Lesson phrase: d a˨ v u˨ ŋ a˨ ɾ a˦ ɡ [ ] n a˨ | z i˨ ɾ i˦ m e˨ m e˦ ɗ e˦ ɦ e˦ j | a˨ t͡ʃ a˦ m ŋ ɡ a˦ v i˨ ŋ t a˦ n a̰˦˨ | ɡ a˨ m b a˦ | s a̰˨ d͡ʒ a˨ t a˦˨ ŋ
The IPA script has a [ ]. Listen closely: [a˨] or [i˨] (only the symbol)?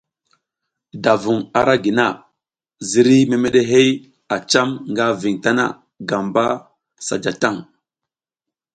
i˨